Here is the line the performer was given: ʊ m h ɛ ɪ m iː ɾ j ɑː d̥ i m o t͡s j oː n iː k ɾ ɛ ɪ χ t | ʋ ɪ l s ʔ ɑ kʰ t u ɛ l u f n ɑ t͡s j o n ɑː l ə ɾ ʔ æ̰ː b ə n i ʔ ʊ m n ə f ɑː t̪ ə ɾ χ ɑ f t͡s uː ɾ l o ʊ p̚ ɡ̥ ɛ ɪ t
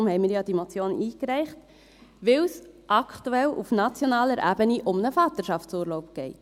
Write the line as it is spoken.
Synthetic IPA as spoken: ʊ m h ɛ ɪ m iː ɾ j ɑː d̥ i m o t͡s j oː n iː k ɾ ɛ ɪ χ t | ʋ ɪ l s ʔ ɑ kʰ t u ɛ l u f n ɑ t͡s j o n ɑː l ə ɾ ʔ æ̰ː b ə n i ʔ ʊ m n ə f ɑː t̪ ə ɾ ʃ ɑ f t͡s uː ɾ l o ʊ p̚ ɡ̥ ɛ ɪ t